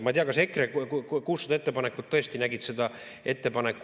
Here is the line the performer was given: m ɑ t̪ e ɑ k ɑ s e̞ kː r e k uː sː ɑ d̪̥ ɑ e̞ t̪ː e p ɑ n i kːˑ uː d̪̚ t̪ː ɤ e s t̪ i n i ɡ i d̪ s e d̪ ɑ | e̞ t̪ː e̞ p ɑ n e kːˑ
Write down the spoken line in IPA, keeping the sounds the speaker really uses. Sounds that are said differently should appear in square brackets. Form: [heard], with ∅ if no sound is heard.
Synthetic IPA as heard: m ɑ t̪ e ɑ k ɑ s e̞ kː r e k uː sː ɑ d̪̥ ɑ e̞ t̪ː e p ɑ n [e] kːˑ [u] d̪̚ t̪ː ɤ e s t̪ i n [æ] ɡ i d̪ s e d̪ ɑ | e̞ t̪ː e̞ p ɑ n e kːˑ